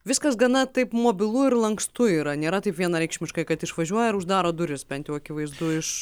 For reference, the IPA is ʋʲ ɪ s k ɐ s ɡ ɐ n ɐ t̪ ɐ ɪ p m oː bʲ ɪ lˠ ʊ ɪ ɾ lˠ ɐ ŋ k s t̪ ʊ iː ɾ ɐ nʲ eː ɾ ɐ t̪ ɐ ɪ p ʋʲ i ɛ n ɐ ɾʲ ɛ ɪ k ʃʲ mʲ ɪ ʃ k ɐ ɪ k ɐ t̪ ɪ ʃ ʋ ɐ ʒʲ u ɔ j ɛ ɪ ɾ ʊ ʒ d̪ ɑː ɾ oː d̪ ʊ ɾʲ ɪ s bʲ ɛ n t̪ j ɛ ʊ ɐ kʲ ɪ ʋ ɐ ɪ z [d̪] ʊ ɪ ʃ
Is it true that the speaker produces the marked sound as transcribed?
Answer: yes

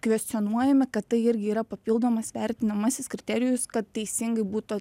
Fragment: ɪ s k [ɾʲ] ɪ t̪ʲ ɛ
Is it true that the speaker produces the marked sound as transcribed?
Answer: yes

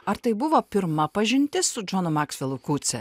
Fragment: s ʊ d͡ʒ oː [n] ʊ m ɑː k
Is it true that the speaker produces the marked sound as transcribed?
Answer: yes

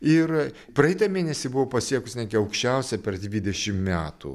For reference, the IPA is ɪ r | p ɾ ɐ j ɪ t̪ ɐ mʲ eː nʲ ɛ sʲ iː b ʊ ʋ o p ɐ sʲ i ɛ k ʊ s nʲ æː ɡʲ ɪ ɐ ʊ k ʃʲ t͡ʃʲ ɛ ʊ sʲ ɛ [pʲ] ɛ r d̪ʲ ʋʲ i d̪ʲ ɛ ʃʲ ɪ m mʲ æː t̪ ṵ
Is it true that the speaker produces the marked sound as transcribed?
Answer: yes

